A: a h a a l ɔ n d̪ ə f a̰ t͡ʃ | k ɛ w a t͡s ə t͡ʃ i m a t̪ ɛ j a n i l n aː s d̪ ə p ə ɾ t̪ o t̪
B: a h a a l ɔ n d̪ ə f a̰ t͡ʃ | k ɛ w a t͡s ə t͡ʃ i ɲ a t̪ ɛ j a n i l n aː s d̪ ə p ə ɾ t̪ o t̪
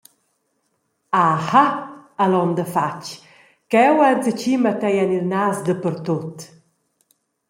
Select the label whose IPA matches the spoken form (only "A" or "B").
A